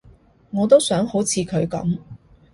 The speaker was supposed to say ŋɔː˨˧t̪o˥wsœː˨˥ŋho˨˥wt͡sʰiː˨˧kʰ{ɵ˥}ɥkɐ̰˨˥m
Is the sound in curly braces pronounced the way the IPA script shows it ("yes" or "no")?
no